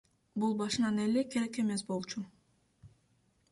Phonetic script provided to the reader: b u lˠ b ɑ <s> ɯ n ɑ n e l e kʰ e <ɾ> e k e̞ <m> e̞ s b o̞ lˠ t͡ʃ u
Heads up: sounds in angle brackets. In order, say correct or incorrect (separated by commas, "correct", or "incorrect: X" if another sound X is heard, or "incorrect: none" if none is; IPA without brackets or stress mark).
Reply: incorrect: ʃ, correct, correct